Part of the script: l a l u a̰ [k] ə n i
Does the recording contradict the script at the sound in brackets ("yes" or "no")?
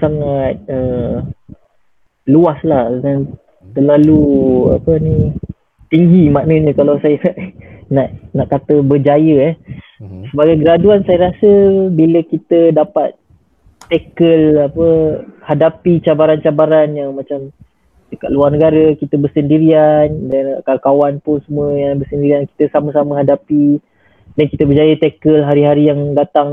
yes